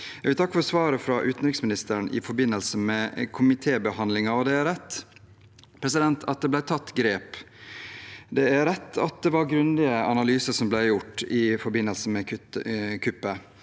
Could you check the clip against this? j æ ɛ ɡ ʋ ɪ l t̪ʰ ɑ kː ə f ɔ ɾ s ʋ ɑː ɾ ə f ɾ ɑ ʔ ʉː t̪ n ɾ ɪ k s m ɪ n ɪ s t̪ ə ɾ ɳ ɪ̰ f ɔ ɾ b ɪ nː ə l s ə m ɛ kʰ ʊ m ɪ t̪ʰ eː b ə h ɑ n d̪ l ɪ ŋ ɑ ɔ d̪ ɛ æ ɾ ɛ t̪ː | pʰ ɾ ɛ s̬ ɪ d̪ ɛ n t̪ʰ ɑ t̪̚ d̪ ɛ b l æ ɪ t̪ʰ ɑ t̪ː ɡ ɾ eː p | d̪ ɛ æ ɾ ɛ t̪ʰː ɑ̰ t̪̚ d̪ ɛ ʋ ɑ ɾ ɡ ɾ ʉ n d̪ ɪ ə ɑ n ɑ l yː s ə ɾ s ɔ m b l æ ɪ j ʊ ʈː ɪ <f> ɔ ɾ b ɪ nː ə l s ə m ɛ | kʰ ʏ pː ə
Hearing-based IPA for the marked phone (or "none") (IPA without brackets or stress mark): f